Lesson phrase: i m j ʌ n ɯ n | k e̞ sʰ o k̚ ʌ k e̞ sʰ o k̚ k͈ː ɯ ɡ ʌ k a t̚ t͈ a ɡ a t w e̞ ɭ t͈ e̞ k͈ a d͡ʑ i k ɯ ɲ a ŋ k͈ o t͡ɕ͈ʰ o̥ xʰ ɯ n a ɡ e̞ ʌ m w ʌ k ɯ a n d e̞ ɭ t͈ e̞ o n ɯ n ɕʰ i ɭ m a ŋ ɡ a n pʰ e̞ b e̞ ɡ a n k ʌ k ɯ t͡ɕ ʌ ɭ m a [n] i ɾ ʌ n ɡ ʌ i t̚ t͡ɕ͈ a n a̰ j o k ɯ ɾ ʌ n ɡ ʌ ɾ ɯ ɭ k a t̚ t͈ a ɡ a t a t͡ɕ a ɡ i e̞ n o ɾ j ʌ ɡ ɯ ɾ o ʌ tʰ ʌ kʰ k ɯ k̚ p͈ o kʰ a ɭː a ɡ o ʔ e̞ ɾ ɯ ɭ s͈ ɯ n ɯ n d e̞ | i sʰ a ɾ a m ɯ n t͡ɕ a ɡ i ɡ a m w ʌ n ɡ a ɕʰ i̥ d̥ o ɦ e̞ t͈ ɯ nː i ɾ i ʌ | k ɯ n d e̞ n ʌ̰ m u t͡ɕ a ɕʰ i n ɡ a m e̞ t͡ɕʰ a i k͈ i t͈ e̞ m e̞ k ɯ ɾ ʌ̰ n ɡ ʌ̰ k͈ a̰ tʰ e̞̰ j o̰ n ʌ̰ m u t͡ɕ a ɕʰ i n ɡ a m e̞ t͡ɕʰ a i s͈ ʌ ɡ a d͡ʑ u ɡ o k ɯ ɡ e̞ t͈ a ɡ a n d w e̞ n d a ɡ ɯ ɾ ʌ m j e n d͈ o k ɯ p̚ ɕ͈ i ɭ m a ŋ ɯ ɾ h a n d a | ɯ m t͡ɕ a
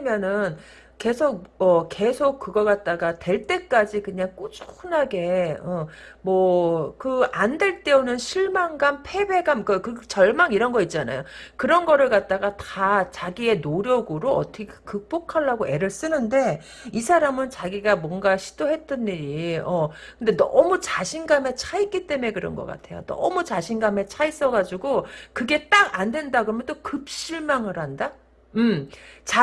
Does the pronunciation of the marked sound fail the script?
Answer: yes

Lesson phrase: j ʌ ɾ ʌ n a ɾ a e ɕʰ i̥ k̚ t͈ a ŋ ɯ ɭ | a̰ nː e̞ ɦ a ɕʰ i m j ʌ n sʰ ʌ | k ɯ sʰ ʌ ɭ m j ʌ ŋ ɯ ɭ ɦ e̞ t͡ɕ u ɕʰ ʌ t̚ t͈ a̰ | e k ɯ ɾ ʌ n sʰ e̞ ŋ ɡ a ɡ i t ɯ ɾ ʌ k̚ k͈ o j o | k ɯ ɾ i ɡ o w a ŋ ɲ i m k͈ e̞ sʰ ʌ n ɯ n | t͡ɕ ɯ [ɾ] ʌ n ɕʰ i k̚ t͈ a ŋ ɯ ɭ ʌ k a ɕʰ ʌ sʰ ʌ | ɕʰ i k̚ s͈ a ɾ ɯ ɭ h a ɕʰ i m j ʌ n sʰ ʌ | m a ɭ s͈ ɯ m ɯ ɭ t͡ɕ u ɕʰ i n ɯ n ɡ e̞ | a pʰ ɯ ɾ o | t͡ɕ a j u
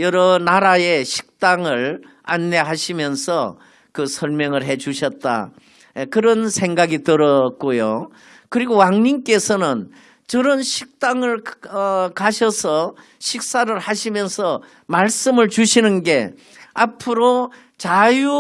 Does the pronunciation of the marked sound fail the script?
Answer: no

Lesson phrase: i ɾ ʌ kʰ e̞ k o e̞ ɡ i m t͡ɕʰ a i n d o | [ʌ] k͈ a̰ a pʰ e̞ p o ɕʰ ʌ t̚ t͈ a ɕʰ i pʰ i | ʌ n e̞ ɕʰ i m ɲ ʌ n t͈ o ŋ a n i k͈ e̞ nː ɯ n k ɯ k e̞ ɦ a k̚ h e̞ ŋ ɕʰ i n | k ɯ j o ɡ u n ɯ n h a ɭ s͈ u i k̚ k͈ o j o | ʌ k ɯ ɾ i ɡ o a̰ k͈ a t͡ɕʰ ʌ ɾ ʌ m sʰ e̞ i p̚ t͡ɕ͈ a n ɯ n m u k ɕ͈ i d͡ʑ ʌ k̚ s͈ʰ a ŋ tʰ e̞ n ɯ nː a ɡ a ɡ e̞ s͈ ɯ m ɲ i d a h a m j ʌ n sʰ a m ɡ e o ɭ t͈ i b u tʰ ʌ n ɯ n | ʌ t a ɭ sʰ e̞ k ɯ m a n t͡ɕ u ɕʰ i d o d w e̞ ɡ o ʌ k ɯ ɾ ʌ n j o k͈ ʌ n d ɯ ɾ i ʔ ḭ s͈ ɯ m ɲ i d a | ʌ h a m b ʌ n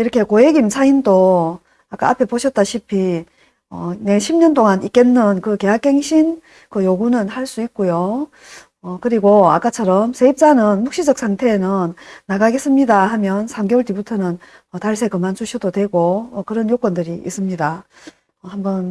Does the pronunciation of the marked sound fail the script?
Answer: yes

